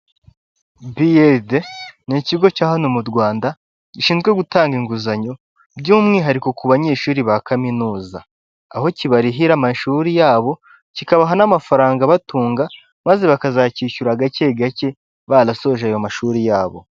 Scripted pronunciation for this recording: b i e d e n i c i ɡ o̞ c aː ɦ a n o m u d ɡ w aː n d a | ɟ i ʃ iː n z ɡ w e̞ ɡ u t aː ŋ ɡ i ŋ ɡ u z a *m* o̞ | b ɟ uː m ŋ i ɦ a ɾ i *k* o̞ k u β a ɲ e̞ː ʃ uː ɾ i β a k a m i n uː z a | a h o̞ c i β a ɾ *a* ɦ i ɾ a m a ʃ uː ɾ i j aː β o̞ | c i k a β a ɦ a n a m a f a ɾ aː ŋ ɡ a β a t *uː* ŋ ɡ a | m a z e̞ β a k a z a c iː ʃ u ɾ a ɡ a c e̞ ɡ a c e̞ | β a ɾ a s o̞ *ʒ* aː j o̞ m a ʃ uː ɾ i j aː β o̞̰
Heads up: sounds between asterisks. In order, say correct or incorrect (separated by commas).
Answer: incorrect, correct, incorrect, correct, correct